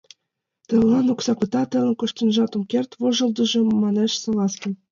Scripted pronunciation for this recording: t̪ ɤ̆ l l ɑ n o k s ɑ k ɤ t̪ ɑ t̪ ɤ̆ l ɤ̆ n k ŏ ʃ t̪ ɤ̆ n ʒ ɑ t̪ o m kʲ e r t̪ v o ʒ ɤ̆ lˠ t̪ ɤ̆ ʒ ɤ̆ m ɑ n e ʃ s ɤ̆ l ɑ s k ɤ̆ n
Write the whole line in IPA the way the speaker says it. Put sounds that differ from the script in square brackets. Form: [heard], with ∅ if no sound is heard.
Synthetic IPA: t̪ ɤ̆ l l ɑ n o k s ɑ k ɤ t̪ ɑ t̪ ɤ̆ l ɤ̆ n k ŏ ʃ t̪ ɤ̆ n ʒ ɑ t̪ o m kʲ e r t̪ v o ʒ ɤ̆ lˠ [d̪] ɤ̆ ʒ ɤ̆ m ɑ n e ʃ s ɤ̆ l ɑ s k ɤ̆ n

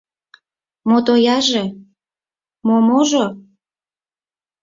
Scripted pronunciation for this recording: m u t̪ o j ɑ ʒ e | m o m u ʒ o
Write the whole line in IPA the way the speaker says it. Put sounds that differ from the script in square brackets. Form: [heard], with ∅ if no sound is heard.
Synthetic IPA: m [o] t̪ o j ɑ ʒ e | m o m [o] ʒ o

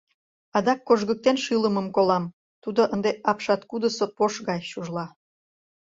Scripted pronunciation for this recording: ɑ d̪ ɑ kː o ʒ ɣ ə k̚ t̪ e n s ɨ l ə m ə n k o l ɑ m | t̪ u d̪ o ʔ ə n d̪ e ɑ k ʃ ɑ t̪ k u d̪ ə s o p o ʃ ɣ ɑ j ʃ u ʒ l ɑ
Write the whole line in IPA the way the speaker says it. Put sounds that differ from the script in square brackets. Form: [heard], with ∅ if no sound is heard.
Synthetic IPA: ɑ d̪ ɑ kː o ʒ ɣ ə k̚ t̪ e n [ʃ] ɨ l ə m ə [m] k o l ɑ m | t̪ u d̪ o ʔ ə n d̪ e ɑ [p] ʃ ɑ t̪ k u d̪ ə s o p o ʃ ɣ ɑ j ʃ u ʒ l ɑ

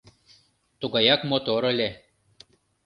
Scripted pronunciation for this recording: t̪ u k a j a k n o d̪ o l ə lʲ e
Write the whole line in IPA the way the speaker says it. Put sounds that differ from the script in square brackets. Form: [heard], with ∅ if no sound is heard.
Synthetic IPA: t̪ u [ɡ] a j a k [m] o [t̪] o [ɾ] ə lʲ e

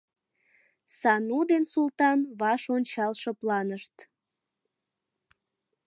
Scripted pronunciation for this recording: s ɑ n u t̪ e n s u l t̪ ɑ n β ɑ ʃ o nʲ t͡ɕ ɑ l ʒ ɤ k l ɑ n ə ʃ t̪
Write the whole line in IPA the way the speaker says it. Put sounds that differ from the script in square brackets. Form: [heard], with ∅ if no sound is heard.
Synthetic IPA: s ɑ n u [d̪] e n s u l t̪ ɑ n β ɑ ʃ o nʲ t͡ɕ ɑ l [ʃ] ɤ [p] l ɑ n ə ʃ t̪

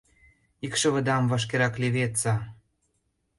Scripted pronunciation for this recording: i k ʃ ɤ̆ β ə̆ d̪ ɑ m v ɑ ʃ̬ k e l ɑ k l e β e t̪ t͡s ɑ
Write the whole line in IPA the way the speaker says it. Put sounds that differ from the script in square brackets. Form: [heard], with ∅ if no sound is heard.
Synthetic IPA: i k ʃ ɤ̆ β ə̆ d̪ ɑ m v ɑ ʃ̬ k e [ɾ] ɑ k l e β e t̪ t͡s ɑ

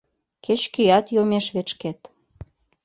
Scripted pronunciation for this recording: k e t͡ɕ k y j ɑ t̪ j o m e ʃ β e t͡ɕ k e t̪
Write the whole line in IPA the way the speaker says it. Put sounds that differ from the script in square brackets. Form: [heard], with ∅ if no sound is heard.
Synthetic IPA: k e t͡ɕ k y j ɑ t̪ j o m e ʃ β e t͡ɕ k e t̪

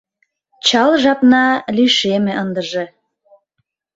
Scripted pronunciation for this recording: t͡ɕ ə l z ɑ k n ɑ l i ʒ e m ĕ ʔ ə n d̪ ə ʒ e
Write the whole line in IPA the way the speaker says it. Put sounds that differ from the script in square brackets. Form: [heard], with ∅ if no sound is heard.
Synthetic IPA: t͡ɕ [ɑ] l [ʒ] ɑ [p] n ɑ l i [ʃ] e m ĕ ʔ ə n d̪ ə ʒ e

